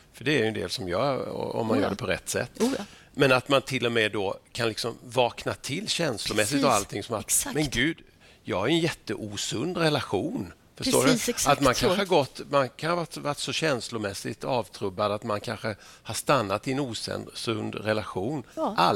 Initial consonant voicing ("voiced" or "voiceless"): voiceless